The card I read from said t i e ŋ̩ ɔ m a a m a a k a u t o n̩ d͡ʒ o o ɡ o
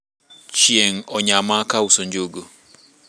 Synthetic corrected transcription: t͡ʃ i e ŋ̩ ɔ ɲ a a m a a k a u s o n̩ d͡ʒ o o ɡ o